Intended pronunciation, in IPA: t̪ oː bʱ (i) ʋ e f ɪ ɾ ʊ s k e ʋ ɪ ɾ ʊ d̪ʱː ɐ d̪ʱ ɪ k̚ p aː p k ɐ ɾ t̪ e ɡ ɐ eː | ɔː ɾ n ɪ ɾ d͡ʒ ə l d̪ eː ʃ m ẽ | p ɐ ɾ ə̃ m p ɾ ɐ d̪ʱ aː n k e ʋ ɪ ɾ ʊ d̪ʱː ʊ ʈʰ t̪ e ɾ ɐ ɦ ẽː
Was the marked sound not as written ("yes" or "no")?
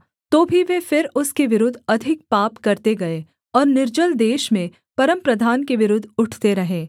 no